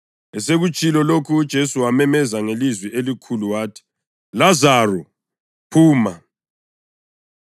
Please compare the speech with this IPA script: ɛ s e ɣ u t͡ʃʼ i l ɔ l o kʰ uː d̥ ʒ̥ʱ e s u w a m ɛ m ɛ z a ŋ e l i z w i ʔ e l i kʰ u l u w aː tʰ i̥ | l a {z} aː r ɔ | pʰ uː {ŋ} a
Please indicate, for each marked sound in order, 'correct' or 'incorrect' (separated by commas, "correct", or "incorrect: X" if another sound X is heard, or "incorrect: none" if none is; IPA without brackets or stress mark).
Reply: correct, incorrect: m